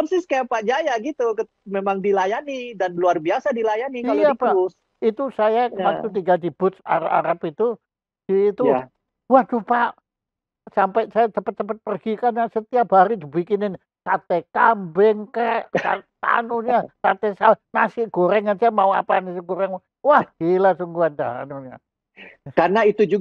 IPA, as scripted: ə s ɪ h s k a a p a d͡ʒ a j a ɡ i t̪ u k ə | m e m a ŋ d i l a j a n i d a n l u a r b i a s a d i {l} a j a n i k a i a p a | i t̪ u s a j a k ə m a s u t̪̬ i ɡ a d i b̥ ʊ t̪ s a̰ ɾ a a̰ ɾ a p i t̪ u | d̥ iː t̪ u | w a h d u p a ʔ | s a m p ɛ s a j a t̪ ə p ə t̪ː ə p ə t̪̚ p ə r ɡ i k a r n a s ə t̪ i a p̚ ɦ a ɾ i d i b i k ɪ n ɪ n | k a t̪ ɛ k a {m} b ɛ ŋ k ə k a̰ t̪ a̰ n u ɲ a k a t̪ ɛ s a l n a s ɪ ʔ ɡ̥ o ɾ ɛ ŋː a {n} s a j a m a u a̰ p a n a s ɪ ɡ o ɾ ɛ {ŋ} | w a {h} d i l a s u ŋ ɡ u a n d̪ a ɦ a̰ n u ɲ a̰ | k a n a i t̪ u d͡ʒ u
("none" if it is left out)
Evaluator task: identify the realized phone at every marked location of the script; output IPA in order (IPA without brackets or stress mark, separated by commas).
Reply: l, m, n, ŋ, h